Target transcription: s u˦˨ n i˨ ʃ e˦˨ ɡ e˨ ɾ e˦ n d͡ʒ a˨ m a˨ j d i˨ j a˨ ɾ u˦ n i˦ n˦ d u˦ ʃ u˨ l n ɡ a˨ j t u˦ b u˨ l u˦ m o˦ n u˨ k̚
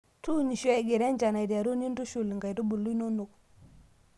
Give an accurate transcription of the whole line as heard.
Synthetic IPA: t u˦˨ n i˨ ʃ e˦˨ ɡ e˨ ɾ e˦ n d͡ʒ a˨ n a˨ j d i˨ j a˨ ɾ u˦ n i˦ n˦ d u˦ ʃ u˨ l ŋ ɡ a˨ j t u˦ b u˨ l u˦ n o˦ n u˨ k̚